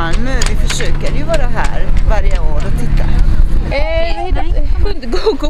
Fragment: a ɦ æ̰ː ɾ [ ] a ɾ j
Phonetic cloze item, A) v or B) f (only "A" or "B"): A